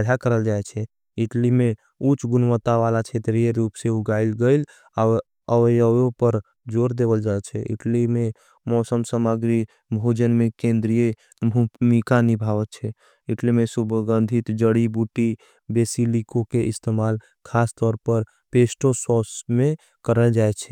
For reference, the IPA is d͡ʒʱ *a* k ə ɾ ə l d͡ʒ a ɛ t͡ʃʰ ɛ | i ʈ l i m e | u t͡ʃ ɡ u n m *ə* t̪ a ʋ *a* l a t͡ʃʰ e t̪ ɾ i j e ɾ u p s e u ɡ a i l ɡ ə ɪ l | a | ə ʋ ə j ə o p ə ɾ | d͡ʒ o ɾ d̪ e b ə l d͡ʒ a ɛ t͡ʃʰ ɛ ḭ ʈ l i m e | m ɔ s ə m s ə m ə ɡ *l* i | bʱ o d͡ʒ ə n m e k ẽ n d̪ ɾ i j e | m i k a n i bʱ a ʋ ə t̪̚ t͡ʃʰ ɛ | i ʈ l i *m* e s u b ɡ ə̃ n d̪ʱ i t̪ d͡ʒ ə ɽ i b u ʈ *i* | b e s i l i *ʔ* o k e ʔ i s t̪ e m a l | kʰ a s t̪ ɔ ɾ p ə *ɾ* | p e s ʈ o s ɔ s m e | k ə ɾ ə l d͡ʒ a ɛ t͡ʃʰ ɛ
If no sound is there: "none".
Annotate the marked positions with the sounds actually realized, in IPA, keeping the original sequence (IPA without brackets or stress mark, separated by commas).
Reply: a, ə, a, ɾ, m, i, k, ɾ